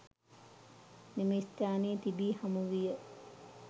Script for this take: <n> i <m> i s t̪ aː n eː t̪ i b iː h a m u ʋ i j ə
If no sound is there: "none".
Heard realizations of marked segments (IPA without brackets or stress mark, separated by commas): n, m